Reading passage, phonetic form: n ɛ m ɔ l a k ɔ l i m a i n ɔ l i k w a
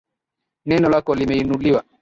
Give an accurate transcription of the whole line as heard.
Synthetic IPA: n ɛ n ɔ l a k ɔ l i m ɛ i n u l i w a